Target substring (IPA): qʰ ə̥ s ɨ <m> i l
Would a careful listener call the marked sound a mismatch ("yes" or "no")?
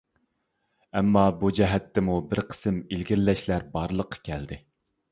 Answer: no